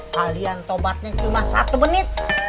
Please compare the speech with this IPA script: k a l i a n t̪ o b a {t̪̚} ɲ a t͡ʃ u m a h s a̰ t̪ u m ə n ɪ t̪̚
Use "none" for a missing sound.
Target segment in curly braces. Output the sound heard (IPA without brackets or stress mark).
t̪̚